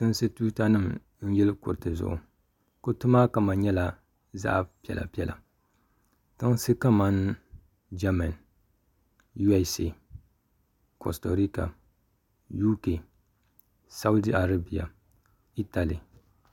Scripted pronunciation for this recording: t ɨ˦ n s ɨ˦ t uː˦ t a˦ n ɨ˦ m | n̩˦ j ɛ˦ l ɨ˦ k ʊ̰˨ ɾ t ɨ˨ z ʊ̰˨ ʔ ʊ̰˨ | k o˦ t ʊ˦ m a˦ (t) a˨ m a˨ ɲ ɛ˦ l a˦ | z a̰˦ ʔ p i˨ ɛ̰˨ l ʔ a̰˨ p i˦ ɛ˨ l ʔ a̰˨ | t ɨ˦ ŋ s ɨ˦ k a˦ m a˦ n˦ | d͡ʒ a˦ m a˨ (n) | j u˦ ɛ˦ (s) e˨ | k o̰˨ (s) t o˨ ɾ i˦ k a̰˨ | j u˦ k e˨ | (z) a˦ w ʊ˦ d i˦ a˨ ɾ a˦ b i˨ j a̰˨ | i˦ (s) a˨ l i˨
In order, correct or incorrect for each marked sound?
incorrect: k, correct, correct, correct, incorrect: s, incorrect: t

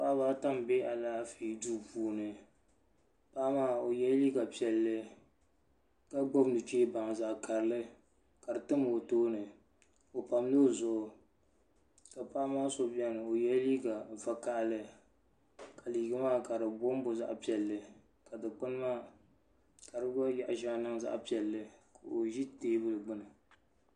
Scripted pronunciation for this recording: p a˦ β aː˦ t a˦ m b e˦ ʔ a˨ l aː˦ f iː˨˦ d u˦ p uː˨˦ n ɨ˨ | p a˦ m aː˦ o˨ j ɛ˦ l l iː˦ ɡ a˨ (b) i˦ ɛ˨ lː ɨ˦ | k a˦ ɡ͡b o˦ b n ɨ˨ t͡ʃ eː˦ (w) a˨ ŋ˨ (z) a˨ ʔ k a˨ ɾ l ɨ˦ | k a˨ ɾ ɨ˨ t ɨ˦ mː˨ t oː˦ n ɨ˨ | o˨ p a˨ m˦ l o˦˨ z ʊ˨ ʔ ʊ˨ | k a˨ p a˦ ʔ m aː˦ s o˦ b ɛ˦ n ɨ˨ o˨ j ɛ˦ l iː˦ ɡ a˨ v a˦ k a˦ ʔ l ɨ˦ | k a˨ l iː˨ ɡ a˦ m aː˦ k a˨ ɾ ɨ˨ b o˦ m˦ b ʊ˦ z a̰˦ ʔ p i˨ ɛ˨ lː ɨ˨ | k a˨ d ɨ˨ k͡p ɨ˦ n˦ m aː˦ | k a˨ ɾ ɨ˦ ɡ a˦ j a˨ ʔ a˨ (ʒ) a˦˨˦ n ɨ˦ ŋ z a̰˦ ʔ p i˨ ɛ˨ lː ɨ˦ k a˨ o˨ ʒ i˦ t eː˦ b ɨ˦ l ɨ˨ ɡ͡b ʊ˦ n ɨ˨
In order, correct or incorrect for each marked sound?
incorrect: p, incorrect: b, correct, correct

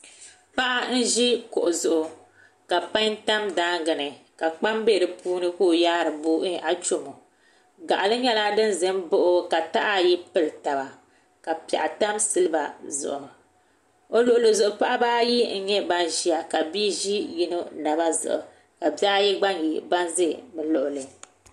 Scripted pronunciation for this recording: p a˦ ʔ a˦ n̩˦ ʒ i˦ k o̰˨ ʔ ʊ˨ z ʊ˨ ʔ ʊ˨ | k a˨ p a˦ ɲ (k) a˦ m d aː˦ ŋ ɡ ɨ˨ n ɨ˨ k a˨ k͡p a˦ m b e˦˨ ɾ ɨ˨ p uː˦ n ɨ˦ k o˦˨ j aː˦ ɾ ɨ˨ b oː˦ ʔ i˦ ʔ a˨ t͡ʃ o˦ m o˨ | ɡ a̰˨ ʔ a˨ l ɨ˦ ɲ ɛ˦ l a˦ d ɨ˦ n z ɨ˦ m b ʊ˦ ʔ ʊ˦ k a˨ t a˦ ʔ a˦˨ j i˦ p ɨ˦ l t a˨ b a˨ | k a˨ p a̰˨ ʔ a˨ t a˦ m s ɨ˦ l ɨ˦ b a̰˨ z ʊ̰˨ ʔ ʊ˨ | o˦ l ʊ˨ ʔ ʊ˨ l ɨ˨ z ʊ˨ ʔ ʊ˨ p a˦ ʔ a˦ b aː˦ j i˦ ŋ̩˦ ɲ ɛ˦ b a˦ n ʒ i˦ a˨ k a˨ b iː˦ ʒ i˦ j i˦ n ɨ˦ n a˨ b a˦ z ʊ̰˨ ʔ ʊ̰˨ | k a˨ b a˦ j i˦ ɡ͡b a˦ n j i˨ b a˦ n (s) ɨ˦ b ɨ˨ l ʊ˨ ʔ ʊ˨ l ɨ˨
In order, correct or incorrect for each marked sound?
incorrect: t, incorrect: z

